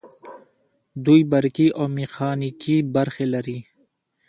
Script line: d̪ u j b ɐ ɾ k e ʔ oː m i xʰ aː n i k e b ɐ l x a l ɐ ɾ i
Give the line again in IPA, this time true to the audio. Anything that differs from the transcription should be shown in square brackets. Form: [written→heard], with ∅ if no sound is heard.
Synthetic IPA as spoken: d̪ u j b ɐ ɾ k [e→i] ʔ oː m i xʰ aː n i k [e→i] b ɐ [l→ɾ] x [a→e] l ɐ ɾ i